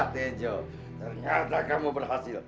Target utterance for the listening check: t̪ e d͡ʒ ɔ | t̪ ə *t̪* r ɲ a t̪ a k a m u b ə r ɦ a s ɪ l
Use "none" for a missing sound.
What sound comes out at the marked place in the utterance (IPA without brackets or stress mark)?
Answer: none